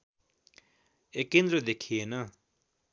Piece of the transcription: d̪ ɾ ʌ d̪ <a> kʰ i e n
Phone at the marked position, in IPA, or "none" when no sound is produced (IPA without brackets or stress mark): e